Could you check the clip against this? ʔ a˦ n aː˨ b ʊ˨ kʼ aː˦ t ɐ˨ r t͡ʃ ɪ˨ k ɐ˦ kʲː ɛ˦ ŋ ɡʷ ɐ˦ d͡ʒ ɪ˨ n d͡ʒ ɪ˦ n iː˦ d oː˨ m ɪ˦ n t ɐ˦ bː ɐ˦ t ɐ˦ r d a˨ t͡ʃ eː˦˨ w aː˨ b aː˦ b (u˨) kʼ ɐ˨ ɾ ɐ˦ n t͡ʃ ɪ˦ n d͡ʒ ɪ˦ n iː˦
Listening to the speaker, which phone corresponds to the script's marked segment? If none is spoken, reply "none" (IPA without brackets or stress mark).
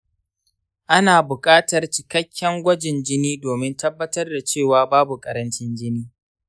u˨